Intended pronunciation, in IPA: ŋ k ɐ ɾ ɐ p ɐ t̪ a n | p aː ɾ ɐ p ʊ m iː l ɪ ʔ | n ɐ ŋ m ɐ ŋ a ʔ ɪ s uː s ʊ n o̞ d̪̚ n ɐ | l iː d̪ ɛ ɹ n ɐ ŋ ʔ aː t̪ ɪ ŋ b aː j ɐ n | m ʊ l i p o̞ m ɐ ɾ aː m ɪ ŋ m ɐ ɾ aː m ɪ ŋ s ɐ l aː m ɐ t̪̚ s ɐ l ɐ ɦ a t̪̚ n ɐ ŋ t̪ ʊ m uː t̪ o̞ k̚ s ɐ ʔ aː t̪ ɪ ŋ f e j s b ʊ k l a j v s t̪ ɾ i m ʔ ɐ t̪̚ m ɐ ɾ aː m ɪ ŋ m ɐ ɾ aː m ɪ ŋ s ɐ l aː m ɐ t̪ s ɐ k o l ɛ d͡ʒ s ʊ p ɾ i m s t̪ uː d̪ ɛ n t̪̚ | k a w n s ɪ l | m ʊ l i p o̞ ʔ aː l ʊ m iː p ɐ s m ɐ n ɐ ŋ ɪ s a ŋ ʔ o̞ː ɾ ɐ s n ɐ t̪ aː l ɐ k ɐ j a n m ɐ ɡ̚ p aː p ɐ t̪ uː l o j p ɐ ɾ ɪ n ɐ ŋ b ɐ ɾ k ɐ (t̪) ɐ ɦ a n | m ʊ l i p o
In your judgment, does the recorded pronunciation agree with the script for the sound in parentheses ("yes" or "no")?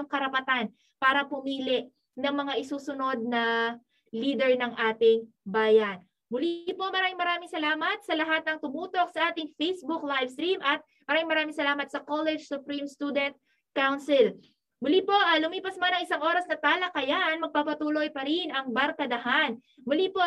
no